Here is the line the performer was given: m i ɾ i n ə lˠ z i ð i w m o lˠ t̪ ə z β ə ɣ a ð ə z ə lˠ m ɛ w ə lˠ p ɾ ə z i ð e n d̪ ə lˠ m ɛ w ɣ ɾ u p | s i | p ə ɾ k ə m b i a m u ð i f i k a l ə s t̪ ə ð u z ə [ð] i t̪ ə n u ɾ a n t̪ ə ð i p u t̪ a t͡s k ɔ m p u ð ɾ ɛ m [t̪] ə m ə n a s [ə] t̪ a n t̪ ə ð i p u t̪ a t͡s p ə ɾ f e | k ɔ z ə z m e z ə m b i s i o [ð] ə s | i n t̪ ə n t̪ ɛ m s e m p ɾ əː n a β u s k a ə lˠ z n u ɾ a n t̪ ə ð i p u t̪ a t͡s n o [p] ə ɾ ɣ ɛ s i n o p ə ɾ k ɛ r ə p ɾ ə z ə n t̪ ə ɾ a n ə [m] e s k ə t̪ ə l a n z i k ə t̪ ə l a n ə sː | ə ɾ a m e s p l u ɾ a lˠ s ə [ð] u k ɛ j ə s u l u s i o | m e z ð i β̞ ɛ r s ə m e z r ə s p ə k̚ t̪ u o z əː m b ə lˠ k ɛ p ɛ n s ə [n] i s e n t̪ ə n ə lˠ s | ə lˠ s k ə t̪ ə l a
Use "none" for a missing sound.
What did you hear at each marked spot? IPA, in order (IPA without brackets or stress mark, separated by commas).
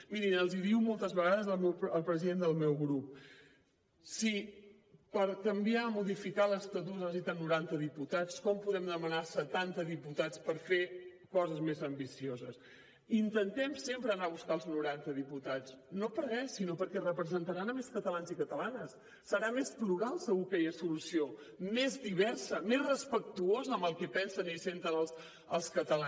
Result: z, d̪, ə, z, p, m, ɣ, n